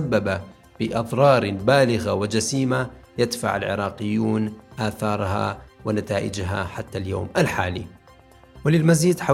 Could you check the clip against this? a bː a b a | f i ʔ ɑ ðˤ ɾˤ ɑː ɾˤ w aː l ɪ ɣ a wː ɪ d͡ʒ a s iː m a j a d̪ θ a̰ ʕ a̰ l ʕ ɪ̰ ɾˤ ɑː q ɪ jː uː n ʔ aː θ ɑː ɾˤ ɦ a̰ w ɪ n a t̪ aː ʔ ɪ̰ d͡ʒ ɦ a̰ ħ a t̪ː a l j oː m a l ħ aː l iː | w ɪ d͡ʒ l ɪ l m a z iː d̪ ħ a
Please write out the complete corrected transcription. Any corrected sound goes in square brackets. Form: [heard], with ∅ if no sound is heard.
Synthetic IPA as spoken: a bː a b a | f i ʔ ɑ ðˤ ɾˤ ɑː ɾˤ [b] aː l ɪ ɣ a [w] ɪ d͡ʒ a s iː m a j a d̪ [f] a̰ ʕ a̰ l ʕ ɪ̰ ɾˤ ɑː q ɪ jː uː n ʔ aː θ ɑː ɾˤ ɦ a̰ w ɪ n a t̪ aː ʔ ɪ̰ d͡ʒ ɦ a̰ ħ a t̪ː a l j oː m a l ħ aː l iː | w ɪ [∅] l ɪ l m a z iː d̪ ħ a